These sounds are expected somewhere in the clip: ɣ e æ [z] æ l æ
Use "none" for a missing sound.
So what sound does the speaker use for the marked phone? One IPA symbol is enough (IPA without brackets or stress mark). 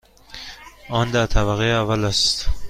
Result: v